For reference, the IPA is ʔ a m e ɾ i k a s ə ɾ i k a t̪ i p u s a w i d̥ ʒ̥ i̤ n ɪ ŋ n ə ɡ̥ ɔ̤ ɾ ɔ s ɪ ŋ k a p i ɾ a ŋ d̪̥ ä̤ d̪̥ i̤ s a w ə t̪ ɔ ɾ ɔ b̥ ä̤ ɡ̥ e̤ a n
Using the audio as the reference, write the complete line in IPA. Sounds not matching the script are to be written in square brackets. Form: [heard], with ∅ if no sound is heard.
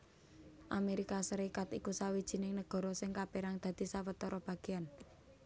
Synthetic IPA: ʔ a m e ɾ i k a s ə ɾ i k a t̪ i [k] u s a w i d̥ ʒ̥ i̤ n ɪ ŋ n ə ɡ̥ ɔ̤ ɾ ɔ s ɪ ŋ k a p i ɾ a ŋ d̪̥ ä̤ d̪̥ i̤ s a w ə t̪ ɔ ɾ ɔ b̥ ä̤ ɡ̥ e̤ a n